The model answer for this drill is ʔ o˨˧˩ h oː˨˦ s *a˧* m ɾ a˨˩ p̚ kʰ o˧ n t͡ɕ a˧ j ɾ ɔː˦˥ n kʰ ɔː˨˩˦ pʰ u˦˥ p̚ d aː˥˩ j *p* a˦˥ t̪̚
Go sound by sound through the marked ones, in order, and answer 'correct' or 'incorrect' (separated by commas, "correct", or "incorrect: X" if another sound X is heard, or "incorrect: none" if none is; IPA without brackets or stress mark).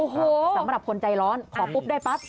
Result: incorrect: a˩˦, correct